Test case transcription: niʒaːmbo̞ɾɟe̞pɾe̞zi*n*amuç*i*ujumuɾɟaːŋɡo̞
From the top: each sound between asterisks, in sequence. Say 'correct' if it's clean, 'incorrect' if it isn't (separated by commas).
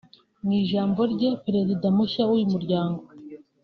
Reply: incorrect, incorrect